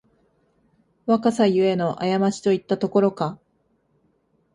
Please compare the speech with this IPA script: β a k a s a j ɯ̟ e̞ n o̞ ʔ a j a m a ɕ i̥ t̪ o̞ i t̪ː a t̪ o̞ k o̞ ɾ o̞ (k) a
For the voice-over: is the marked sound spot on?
yes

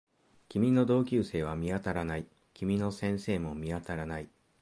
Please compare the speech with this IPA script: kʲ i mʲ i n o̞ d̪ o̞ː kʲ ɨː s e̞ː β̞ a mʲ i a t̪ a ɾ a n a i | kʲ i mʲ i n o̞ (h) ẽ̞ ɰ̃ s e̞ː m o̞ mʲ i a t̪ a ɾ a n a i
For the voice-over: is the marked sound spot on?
no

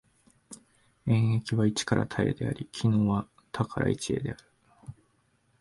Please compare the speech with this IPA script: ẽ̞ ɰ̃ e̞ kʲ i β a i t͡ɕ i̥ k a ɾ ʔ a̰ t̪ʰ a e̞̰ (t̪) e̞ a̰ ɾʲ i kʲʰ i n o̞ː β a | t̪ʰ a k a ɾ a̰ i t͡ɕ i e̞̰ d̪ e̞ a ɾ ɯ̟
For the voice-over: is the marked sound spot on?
no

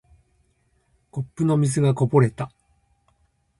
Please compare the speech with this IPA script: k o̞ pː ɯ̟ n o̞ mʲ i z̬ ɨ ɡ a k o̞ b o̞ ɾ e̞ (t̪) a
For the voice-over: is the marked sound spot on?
yes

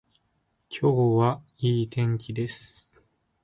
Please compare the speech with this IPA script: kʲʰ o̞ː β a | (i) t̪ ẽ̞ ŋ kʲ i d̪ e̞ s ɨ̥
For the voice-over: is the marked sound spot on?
no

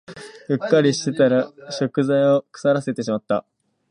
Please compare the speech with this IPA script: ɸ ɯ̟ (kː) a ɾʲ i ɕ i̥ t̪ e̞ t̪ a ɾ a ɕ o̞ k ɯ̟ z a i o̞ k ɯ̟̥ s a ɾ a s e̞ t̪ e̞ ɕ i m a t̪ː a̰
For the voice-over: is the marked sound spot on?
yes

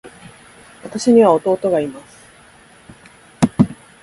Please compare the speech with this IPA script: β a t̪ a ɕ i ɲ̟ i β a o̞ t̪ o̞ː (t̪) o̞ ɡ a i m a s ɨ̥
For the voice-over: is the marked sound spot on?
yes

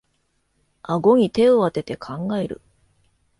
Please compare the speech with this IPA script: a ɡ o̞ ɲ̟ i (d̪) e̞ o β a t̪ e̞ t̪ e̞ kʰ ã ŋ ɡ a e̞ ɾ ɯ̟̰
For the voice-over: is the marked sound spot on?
no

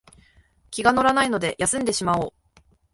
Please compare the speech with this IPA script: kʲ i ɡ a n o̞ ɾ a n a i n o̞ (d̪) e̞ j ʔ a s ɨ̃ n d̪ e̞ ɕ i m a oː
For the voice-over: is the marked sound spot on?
yes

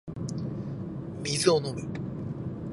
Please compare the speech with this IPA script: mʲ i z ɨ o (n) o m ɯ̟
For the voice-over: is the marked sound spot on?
yes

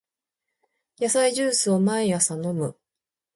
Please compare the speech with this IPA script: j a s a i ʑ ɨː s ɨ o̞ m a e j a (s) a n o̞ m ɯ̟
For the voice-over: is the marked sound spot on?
yes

